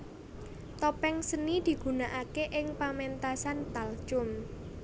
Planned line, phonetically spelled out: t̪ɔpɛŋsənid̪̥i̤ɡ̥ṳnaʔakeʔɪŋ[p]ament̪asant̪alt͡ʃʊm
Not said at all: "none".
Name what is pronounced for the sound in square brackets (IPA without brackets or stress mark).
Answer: p